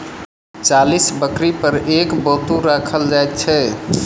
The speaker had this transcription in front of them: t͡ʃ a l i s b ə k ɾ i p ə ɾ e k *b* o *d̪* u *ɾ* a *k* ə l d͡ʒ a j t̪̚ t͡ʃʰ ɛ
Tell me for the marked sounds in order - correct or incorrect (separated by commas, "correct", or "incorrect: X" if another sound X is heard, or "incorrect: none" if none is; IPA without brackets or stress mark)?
correct, incorrect: t̪, correct, incorrect: kʰ